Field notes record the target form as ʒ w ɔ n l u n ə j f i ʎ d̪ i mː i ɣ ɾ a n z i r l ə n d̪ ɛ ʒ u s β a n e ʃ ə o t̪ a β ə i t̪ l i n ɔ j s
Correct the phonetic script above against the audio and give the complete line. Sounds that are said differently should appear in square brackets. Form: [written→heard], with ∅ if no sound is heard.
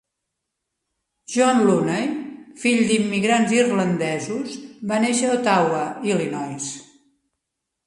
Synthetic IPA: ʒ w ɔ n l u n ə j f i ʎ d̪ i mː i ɣ ɾ a n z i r l ə n d̪ ɛ [ʒ→z] u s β a n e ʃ ə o t̪ a [β→w] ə i [t̪→∅] l i n ɔ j s